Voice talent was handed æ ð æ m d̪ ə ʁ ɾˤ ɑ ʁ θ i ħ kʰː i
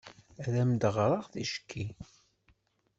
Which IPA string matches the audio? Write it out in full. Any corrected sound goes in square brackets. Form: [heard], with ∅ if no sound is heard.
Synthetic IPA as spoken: æ ð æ m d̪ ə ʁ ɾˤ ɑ ʁ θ i [ʃ] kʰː i